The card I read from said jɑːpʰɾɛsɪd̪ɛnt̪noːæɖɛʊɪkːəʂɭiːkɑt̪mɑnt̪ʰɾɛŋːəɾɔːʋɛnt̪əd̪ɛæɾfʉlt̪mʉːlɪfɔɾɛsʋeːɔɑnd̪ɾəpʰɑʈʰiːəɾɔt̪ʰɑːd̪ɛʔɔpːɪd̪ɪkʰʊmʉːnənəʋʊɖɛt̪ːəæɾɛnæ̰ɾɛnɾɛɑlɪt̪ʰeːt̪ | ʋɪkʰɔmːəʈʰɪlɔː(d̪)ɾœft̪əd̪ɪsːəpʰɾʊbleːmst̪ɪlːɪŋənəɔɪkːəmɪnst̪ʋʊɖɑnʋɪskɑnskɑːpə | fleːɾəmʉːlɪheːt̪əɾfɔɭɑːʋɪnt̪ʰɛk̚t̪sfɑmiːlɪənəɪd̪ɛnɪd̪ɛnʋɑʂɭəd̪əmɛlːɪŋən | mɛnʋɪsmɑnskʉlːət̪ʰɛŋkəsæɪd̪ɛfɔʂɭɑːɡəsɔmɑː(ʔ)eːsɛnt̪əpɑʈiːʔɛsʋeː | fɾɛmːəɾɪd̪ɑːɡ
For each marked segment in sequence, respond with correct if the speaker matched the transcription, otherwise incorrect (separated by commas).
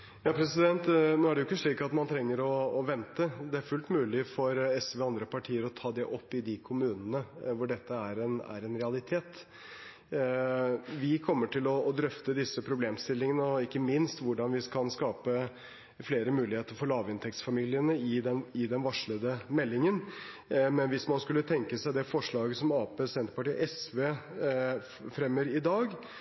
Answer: correct, incorrect